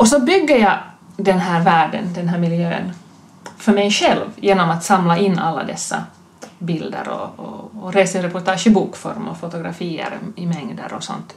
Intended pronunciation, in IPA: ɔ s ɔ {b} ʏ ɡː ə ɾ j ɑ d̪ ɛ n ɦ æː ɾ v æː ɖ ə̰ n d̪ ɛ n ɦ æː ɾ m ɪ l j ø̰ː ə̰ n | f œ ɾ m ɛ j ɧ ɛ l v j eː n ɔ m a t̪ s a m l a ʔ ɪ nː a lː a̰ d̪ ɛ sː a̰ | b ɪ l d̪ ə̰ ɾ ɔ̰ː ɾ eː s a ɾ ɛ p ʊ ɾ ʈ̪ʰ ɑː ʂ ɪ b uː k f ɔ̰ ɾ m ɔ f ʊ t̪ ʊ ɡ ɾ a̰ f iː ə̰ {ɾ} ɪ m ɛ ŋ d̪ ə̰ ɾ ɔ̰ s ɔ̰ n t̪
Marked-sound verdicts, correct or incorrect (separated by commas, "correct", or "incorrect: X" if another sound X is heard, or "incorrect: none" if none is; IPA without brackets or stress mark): correct, correct